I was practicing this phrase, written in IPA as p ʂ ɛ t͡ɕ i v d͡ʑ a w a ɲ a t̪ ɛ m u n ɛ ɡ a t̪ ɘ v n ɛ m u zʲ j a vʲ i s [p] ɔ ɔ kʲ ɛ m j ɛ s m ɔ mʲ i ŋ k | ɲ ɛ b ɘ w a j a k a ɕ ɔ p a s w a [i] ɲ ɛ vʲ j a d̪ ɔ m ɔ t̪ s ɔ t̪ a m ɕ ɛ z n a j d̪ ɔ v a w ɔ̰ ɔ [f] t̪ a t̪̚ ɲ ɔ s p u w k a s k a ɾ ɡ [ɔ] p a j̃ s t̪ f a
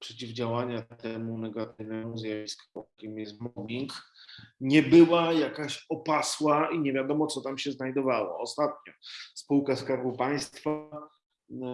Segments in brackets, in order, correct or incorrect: incorrect: k, correct, incorrect: s, incorrect: u

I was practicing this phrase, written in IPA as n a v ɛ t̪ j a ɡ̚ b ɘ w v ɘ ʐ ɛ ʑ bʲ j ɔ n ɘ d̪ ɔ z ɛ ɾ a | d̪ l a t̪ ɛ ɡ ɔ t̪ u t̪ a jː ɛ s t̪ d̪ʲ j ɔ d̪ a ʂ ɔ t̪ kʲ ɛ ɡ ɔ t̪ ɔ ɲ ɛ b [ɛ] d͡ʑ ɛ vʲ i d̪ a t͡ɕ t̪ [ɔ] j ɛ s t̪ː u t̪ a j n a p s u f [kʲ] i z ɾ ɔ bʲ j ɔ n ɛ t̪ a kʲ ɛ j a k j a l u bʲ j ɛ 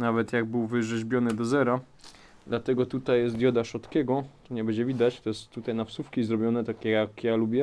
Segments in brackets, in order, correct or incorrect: correct, correct, correct

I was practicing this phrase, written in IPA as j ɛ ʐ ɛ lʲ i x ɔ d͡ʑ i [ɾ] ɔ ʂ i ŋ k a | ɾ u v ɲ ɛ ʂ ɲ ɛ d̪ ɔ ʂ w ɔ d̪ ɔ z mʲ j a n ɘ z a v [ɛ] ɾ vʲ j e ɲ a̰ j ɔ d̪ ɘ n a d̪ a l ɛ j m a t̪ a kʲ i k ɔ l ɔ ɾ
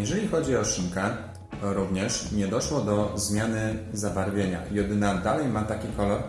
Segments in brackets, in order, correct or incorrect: incorrect: none, incorrect: a

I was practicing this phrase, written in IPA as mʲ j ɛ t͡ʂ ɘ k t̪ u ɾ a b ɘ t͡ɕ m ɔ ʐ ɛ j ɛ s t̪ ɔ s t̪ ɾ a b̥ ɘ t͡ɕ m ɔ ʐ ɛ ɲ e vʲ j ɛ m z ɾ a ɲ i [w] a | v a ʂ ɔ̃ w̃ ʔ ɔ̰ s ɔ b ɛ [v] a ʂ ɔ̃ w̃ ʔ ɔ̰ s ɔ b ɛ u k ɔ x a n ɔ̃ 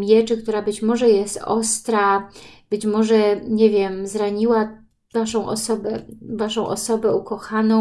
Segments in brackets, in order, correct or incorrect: correct, correct

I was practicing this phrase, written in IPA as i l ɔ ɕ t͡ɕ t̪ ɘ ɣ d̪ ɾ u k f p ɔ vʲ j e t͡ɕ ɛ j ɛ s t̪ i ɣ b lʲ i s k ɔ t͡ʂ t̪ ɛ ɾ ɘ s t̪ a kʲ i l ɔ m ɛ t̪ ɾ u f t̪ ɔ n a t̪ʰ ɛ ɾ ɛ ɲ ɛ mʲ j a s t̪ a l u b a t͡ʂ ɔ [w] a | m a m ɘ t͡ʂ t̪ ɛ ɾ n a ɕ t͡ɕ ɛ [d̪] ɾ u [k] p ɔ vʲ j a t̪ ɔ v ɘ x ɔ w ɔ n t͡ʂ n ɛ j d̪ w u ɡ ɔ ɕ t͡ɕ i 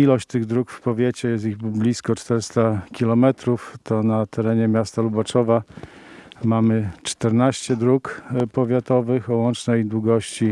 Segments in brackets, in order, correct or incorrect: incorrect: v, correct, correct

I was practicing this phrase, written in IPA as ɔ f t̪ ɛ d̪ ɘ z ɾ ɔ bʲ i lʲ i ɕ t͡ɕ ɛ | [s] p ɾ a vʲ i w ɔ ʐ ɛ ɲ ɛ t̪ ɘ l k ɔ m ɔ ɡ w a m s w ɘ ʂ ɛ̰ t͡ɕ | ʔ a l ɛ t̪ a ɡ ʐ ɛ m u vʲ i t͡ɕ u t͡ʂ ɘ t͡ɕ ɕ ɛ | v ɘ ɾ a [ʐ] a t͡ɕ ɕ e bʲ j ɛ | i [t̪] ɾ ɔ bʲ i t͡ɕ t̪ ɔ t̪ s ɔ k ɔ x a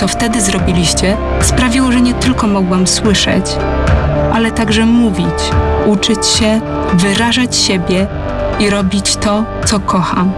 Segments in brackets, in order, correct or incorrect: correct, correct, incorrect: none

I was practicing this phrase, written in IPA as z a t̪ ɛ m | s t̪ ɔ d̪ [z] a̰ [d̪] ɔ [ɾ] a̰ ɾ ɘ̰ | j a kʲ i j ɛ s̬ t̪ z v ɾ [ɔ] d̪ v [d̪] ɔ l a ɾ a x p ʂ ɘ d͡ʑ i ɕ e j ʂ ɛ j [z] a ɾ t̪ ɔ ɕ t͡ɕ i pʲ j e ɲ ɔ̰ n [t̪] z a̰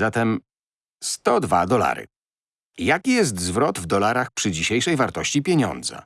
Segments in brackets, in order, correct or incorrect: incorrect: v, correct, incorrect: l, correct, correct, incorrect: v, incorrect: d̪

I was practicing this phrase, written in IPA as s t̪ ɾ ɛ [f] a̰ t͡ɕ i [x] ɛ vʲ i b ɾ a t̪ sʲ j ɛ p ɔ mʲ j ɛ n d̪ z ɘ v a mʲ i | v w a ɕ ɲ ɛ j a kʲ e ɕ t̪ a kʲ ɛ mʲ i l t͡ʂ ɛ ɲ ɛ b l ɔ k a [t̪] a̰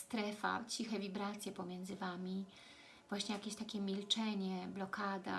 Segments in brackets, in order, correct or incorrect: correct, correct, incorrect: d̪

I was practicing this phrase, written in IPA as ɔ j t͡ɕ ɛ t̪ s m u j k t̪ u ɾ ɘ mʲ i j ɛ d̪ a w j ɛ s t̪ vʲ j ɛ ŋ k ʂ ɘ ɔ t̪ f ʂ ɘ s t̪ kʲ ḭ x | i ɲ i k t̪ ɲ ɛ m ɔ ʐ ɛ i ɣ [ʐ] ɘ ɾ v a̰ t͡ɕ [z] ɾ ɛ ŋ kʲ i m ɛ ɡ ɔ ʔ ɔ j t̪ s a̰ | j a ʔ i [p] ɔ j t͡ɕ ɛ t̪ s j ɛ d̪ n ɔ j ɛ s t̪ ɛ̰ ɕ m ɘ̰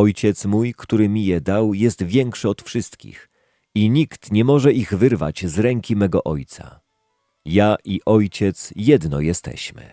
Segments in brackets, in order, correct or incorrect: incorrect: v, correct, incorrect: ʔ

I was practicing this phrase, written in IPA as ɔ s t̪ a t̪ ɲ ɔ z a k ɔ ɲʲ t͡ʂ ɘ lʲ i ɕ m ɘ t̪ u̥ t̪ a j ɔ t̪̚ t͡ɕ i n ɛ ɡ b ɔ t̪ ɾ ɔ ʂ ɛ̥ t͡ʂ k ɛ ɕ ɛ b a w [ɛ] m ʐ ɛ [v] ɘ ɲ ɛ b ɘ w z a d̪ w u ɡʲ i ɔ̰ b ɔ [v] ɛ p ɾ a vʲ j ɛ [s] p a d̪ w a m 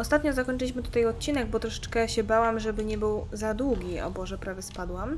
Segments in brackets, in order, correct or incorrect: incorrect: a, incorrect: b, incorrect: ʐ, correct

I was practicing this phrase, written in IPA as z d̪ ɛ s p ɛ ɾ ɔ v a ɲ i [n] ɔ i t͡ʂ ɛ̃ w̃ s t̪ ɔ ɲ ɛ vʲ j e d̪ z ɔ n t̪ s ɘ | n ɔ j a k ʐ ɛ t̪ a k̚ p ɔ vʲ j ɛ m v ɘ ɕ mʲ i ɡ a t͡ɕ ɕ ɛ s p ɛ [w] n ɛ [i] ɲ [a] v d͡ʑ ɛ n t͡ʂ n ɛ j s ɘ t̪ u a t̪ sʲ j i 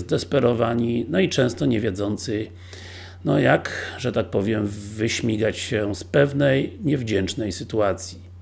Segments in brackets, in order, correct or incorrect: correct, incorrect: v, incorrect: j, incorrect: ɛ

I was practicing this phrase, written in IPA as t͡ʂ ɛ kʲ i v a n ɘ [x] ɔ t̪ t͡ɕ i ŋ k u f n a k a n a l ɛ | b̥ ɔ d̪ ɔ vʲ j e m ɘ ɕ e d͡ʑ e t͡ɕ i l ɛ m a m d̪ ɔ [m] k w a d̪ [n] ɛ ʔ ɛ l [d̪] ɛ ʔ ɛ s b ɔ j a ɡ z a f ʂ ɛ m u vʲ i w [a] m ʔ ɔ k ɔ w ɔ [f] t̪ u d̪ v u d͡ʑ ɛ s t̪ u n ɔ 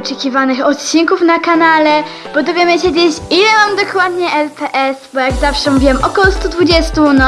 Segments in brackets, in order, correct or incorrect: correct, incorrect: none, incorrect: ɲ, incorrect: t̪, incorrect: ɛ, incorrect: s

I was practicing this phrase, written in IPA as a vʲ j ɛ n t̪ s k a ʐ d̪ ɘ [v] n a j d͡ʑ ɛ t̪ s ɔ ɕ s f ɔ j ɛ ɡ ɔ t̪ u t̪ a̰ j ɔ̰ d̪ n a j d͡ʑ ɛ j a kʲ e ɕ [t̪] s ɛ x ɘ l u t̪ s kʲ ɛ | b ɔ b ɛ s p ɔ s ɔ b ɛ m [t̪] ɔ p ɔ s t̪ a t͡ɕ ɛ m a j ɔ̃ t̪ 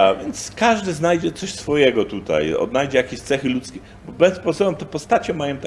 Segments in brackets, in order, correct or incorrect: incorrect: z, correct, correct

